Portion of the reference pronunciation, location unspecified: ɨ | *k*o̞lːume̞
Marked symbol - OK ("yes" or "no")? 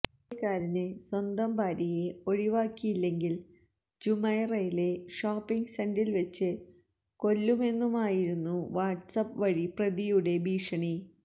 yes